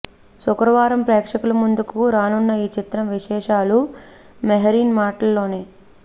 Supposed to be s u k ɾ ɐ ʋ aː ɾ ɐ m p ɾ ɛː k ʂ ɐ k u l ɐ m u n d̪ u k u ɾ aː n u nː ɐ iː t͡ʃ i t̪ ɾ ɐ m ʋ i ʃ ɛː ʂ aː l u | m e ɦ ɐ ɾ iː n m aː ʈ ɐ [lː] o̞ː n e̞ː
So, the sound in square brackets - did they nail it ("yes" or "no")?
yes